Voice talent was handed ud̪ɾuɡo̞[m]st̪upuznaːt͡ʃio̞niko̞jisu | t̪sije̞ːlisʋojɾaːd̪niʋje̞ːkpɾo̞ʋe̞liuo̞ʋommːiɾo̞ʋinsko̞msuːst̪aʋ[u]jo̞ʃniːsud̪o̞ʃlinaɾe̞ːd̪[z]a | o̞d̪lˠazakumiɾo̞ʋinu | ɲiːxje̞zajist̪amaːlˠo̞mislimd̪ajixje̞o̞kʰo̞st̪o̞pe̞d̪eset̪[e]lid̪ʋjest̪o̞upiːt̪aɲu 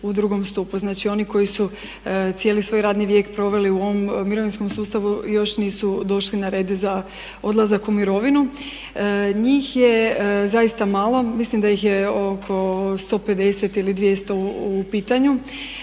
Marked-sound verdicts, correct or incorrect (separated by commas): correct, correct, correct, incorrect